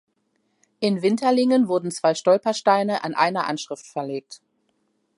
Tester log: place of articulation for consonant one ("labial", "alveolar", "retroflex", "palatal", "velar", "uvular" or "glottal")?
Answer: glottal